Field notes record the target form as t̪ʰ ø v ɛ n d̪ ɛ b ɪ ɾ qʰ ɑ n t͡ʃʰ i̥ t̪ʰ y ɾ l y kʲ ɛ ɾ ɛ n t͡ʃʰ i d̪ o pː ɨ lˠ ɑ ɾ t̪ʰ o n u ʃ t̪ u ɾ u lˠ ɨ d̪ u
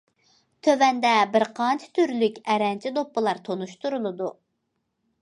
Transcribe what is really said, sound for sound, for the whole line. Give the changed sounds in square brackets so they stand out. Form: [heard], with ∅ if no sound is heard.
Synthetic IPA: t̪ʰ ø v ɛ n d̪ ɛ b ɪ ɾ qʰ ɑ n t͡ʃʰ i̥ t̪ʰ y ɾ l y kʲ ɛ ɾ ɛ n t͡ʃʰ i d̪ o pː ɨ lˠ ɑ ɾ t̪ʰ o n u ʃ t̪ u ɾ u lˠ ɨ d̪ u